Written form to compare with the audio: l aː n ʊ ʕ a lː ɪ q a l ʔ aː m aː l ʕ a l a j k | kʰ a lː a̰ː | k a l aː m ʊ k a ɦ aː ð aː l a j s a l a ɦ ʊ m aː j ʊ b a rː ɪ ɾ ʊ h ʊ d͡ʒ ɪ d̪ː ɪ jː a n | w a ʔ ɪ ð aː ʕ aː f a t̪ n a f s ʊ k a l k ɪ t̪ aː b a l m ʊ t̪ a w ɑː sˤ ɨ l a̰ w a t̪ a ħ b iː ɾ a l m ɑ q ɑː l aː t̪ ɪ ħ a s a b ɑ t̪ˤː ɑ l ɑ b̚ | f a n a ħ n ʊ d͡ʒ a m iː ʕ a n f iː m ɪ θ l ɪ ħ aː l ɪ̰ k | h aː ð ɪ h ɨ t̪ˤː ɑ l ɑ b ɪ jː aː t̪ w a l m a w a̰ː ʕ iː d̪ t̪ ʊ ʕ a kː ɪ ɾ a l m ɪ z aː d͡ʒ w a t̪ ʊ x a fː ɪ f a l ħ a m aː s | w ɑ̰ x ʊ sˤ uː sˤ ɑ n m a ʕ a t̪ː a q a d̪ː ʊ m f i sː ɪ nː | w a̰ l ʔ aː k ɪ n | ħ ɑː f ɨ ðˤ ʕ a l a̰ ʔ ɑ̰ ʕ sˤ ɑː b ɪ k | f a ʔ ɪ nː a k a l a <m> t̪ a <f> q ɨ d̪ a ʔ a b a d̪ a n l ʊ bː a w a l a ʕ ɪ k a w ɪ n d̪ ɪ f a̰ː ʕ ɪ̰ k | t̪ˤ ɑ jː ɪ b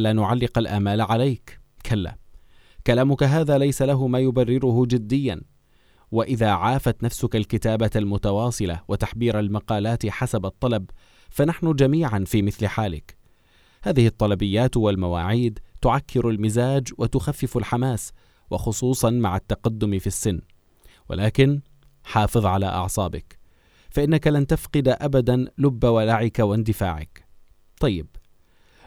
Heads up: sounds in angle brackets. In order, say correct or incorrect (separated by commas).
incorrect, correct